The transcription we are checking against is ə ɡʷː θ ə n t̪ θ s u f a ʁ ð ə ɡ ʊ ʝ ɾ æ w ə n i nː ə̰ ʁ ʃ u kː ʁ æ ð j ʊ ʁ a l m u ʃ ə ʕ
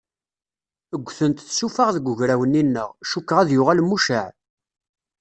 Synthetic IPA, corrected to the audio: ə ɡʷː θ ə n t̪ θ s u f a ʁ ð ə ɡ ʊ ʝ ɾ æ w ə n i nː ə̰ ʁ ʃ u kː ʁ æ ð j ʊ ʁ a l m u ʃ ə ʕ